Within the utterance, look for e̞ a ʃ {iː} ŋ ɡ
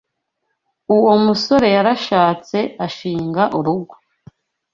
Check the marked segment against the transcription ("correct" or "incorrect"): correct